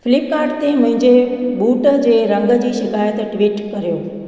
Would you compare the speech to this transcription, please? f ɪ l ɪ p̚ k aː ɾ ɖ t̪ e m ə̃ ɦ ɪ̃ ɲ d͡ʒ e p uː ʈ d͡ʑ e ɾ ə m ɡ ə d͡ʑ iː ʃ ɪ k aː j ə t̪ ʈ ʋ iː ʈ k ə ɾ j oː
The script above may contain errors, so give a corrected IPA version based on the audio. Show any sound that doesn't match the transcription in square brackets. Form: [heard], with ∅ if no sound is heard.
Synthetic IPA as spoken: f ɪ l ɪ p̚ k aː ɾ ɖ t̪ e m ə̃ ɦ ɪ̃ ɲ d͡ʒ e [b] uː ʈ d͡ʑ e ɾ ə [ŋ] ɡ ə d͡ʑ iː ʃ ɪ k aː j ə t̪ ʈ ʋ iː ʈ k ə ɾ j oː